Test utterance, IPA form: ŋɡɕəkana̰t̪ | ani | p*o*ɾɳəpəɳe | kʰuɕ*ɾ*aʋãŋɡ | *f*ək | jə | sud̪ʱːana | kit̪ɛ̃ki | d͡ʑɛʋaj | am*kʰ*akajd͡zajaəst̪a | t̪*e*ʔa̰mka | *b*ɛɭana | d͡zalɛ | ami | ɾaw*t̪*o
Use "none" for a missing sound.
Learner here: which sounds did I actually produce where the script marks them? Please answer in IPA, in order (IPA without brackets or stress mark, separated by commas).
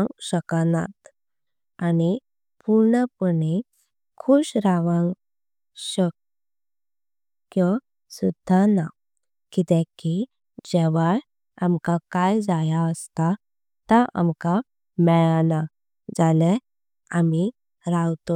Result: u, ɾ, ɕ, k, a, m, t̪